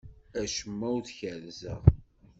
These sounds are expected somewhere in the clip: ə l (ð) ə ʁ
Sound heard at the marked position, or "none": z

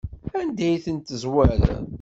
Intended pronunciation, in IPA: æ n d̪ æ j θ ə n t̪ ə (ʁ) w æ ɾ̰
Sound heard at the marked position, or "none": z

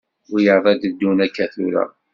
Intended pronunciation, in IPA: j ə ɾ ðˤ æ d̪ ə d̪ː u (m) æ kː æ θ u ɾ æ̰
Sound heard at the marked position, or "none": n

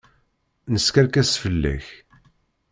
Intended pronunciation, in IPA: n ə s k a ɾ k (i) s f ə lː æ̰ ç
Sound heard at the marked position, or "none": æ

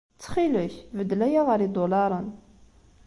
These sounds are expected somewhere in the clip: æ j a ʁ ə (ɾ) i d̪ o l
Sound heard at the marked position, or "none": ɾ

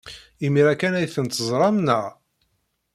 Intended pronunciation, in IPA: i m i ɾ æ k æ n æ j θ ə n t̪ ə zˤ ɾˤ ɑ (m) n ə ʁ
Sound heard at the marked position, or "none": m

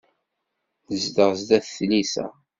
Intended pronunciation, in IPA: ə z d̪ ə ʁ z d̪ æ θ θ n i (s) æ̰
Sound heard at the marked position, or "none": s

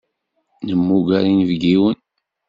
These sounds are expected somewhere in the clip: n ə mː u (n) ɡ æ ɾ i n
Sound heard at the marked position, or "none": none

